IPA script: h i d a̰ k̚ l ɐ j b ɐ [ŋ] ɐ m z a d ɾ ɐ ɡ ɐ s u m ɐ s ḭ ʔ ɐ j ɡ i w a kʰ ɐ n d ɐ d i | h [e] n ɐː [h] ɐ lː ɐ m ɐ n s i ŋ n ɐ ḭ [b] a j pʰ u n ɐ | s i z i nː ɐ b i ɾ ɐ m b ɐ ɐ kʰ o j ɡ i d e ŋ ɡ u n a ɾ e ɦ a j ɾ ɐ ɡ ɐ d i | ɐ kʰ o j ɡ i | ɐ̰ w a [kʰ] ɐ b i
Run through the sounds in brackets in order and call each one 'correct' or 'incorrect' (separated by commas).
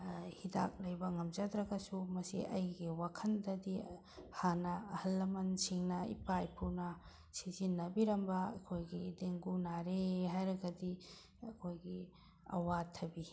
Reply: correct, incorrect, correct, incorrect, incorrect